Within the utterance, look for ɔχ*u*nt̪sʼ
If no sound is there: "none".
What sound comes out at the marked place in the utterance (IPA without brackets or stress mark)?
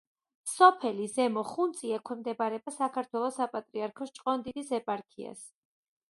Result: u